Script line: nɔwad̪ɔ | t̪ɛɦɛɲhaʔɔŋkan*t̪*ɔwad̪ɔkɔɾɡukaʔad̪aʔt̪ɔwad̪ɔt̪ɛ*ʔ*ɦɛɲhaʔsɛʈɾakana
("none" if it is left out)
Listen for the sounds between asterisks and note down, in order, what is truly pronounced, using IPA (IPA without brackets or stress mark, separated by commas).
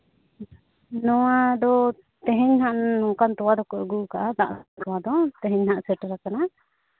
t̪, none